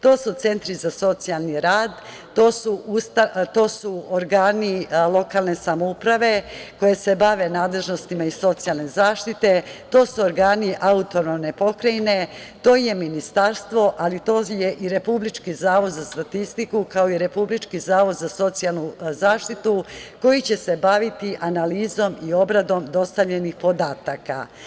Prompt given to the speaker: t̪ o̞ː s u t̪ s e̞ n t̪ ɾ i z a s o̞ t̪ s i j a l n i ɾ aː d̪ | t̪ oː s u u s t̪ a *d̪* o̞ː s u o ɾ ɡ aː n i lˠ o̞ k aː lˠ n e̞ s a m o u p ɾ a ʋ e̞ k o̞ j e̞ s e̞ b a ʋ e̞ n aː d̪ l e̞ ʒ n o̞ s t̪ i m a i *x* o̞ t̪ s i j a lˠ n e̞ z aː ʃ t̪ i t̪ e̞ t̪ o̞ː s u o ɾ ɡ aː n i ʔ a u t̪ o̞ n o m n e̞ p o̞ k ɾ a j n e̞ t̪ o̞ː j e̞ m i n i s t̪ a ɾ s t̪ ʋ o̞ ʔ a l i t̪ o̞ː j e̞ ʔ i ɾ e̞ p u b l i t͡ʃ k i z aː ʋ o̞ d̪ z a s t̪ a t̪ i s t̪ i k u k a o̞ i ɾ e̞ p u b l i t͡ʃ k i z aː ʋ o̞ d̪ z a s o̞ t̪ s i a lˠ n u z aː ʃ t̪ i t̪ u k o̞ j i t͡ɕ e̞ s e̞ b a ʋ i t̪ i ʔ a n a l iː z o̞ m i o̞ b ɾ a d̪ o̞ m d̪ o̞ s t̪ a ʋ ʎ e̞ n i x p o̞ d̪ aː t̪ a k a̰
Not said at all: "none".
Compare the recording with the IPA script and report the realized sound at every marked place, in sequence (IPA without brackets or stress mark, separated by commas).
t̪, s